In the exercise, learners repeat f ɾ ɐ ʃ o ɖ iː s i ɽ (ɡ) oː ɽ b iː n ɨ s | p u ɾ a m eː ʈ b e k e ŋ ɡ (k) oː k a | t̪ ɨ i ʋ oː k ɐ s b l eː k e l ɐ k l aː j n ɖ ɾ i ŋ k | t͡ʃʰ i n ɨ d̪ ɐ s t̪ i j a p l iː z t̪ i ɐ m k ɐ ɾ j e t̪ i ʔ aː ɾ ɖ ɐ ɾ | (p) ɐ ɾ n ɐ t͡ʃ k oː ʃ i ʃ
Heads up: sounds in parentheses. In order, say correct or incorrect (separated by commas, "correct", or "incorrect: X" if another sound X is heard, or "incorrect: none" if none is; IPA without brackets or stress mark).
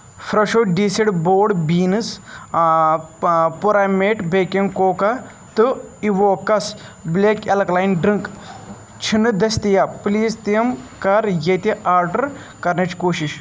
incorrect: b, correct, incorrect: k